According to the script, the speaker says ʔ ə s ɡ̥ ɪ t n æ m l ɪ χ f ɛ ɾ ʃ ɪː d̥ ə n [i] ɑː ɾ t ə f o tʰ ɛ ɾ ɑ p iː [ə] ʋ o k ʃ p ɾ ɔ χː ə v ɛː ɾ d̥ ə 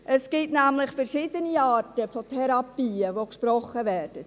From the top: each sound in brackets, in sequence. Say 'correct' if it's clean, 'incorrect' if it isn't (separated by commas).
correct, correct